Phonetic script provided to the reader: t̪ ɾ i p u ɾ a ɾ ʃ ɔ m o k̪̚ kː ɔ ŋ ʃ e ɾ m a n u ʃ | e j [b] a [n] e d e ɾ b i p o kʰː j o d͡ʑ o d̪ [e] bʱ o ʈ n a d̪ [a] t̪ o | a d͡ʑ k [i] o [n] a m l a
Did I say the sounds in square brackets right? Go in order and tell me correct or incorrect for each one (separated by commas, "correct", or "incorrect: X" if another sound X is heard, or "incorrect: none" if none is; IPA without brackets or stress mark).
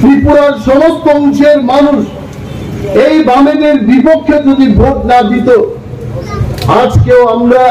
correct, incorrect: m, incorrect: i, incorrect: i, incorrect: e, incorrect: none